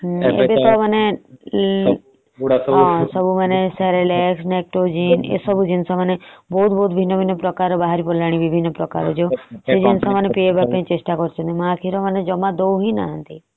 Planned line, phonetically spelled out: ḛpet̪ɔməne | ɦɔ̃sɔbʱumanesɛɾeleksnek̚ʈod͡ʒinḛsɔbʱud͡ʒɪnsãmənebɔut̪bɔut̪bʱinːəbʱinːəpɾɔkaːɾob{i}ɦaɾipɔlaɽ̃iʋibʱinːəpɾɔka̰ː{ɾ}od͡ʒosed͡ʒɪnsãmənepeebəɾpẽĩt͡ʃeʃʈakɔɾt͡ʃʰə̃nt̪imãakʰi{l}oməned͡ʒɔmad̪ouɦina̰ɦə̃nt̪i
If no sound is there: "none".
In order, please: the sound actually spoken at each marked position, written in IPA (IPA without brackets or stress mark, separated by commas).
a, ɾ, ɾ